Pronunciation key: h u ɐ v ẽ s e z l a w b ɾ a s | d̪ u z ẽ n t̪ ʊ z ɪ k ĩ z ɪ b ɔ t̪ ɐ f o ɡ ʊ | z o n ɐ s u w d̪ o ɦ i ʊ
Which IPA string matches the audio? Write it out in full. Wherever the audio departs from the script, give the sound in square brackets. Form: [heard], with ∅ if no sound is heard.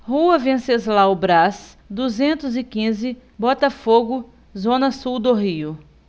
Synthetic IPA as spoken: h u ɐ v ẽ s e z l a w b ɾ a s | d̪ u z ẽ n t̪ ʊ z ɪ k ĩ z ɪ b ɔ t̪ ɐ f o ɡ ʊ | z [õ] n ɐ s u w d̪ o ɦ i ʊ

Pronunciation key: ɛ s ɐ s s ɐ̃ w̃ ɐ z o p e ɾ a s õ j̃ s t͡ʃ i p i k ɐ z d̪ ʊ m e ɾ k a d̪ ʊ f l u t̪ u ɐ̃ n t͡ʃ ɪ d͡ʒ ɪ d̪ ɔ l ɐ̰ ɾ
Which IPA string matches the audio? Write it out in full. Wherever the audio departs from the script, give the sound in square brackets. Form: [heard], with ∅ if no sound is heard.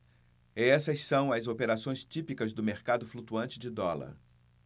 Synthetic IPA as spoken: ɛ s ɐ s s ɐ̃ w̃ ɐ z o p e ɾ a s õ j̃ s t͡ʃ i p i k ɐ z d̪ ʊ m e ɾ k a d̪ ʊ f l u t̪ u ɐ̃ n t͡ʃ ɪ d͡ʒ ɪ d̪ ɔ l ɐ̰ ɾ

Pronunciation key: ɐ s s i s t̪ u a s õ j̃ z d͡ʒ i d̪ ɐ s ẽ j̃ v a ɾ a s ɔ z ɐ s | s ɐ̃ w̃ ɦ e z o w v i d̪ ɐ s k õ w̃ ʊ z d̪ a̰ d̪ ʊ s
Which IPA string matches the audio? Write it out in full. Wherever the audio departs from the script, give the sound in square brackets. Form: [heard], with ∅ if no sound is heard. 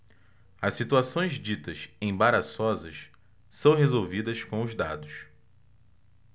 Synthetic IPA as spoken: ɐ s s i [∅] t̪ u a s õ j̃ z d͡ʒ i [t̪] ɐ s ẽ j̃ [b] a ɾ a s ɔ z ɐ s | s ɐ̃ w̃ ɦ e z o w v i d̪ ɐ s k õ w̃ ʊ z d̪ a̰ d̪ ʊ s

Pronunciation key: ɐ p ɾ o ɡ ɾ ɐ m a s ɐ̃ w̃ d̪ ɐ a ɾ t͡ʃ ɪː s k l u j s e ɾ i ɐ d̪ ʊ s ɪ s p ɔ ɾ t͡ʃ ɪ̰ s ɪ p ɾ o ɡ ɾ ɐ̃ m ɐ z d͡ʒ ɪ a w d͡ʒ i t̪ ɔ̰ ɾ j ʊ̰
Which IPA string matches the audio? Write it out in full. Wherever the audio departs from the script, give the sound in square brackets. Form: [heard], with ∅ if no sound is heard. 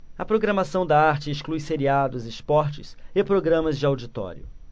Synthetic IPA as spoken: ɐ p ɾ o ɡ ɾ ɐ m a s ɐ̃ w̃ d̪ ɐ a ɾ t͡ʃ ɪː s k l u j s e ɾ i [a] d̪ ʊ [z] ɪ s p ɔ ɾ t͡ʃ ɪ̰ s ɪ p ɾ o ɡ ɾ ɐ̃ m ɐ z d͡ʒ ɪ a w d͡ʒ i t̪ ɔ̰ ɾ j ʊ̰

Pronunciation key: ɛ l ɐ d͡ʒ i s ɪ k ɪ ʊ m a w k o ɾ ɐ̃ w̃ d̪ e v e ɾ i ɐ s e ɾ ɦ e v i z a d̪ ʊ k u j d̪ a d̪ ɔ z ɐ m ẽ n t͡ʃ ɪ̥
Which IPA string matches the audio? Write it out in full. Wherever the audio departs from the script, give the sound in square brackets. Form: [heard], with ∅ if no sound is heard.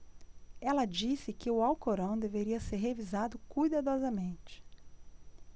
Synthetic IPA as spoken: ɛ l ɐ d͡ʒ i s ɪ k ɪ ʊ [∅] a w k o ɾ ɐ̃ w̃ d̪ e v e ɾ i ɐ s e ɾ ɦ e v i z a d̪ ʊ k u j d̪ a d̪ ɔ z ɐ m ẽ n t͡ʃ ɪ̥

